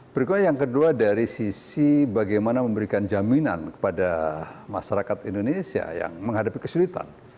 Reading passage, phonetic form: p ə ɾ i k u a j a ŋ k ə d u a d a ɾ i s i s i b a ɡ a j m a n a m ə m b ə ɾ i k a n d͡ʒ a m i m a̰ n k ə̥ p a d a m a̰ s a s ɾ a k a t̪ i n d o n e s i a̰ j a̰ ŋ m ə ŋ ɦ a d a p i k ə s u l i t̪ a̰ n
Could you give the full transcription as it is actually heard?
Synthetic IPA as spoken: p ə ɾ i k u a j a ŋ k ə d u a d a ɾ i s i s i b a ɡ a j m a n a m ə m b ə ɾ i k a n d͡ʒ a m i n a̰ n k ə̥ p a d a m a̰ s a ɾ a k a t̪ i n d o n e s i a̰ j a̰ ŋ m ə ŋ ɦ a d a p i k ə s u l i t̪ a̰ n